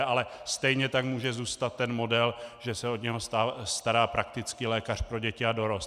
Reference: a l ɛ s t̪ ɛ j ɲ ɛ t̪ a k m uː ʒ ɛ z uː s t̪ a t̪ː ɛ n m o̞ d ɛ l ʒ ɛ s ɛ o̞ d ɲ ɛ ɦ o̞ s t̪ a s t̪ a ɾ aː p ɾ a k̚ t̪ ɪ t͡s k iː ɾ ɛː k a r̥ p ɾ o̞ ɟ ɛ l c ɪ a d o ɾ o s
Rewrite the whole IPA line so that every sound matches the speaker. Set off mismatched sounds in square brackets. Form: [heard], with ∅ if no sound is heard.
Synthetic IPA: a l ɛ s t̪ ɛ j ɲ ɛ t̪ a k m uː ʒ ɛ z uː s t̪ a t̪ː ɛ n m o̞ d ɛ l ʒ ɛ s ɛ o̞ d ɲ ɛ ɦ o̞ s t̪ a s t̪ a ɾ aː p ɾ a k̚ t̪ ɪ t͡s k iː [l] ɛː k a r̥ p ɾ o̞ ɟ ɛ [∅] c ɪ a d o ɾ o s